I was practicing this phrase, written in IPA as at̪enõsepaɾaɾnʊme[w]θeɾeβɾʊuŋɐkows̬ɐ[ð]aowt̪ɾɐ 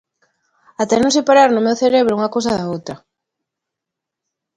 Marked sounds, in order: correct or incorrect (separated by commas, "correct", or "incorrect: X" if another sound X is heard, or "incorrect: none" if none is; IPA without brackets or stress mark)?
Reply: correct, correct